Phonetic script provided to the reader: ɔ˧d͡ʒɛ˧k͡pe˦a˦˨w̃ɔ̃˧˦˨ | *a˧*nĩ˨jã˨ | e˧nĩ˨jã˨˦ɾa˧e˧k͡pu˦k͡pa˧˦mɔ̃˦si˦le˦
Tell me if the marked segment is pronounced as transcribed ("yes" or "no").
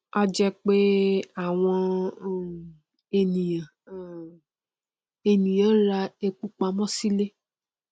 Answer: no